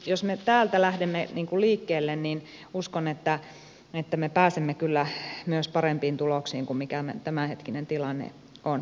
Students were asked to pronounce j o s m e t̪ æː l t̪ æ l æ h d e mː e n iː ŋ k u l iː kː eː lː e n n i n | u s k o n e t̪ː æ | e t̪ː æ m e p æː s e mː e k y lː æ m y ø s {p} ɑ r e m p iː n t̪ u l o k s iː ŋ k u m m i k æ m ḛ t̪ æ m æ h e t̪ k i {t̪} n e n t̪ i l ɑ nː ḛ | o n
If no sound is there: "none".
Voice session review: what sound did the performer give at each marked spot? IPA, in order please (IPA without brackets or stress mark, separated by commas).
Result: p, none